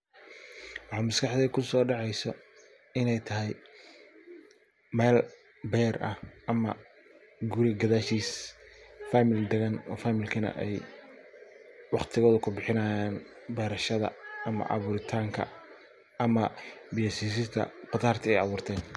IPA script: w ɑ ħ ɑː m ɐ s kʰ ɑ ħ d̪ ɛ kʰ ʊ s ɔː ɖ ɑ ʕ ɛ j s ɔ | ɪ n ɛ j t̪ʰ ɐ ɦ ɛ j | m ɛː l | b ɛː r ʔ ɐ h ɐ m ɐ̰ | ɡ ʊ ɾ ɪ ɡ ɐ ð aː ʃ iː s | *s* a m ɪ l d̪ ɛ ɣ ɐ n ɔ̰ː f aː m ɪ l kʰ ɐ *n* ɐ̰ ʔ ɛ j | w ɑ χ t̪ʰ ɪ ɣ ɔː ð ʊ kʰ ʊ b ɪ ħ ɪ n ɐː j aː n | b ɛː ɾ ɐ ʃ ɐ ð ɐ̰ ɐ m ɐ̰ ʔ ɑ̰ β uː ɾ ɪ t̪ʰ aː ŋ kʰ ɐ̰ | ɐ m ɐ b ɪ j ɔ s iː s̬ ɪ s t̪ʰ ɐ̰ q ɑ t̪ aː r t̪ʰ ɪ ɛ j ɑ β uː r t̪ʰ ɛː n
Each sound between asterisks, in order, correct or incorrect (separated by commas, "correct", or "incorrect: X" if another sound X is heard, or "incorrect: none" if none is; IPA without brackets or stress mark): incorrect: f, correct